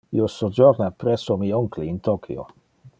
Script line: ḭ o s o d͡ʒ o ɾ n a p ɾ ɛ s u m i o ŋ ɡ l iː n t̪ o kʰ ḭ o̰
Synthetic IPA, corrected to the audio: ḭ o s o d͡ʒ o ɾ n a p ɾ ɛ s o m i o ŋ k l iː n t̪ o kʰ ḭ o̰